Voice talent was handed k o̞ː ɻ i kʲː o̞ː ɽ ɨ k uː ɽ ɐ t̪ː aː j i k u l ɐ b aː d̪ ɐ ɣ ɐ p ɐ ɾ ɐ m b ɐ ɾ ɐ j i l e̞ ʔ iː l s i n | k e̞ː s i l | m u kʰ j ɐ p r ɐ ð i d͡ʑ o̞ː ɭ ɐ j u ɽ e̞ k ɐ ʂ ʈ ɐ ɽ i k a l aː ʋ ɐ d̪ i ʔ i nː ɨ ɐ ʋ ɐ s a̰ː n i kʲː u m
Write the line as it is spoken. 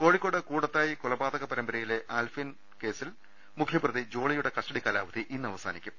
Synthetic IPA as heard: k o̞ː ɻ i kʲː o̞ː ɽ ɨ k uː ɽ ɐ t̪ː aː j i k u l ɐ b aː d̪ ɐ ɣ ɐ p ɐ ɾ ɐ m b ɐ ɾ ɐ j i l e̞ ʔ aː l f i n | k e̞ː s i l | m u kʰ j ɐ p r ɐ ð i d͡ʑ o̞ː ɭ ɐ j u ɽ e̞ k ɐ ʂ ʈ ɐ ɽ i k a l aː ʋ ɐ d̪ i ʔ i nː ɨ ɐ ʋ ɐ s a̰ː n i kʲː u m